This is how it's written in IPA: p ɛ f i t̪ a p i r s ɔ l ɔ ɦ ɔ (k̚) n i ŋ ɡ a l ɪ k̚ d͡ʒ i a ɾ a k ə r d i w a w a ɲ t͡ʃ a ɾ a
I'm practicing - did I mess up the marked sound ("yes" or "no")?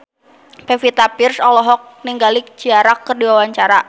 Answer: no